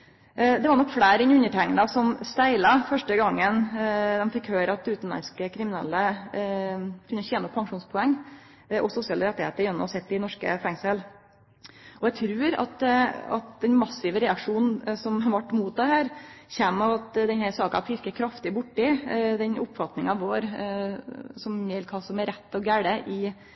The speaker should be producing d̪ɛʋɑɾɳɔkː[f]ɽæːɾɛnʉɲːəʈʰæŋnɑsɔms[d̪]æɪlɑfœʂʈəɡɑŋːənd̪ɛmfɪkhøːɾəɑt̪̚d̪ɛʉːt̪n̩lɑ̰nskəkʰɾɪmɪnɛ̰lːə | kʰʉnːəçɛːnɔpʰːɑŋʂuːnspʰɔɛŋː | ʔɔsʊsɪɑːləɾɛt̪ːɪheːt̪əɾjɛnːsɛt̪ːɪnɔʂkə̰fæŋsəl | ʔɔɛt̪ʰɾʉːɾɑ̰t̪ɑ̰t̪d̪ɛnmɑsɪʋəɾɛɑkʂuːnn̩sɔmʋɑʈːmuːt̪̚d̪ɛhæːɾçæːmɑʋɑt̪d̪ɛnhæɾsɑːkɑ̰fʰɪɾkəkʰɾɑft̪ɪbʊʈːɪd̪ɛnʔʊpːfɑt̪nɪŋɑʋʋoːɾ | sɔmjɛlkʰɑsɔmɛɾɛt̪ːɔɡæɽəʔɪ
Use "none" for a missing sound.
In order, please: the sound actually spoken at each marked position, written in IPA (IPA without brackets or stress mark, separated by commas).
f, t̪